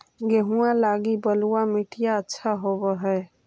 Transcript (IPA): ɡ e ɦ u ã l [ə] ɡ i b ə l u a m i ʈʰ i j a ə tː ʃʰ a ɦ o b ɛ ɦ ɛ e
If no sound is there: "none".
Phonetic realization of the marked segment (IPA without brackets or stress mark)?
a